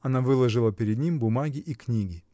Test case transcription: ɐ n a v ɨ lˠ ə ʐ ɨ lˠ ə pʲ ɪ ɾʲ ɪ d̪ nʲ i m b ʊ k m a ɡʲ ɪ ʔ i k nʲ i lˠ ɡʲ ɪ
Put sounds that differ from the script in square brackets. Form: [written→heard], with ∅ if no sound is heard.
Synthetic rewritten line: ɐ n a v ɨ lˠ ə ʐ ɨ lˠ ə pʲ ɪ ɾʲ ɪ d̪ nʲ i m b ʊ [k→∅] m a ɡʲ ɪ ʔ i k nʲ i [lˠ→∅] ɡʲ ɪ